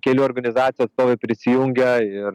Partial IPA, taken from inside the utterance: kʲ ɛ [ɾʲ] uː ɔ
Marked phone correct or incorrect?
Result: incorrect